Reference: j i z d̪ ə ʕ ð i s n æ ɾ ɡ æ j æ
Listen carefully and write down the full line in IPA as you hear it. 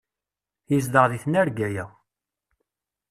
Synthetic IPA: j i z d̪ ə ʁ ð i θ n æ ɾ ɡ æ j æ